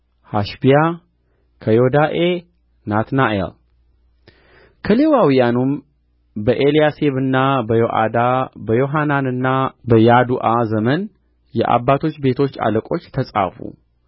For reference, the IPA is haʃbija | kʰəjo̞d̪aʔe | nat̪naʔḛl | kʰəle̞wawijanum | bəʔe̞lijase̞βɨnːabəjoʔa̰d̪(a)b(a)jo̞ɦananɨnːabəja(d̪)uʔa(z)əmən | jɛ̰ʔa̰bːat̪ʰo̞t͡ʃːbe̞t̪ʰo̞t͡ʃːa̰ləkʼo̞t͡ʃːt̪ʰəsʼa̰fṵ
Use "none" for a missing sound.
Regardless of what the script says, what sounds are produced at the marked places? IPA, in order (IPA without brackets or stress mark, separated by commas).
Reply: a, ə, d̪, z